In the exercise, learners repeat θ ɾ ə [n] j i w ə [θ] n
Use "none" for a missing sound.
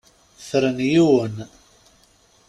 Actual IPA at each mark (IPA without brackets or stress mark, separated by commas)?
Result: n, none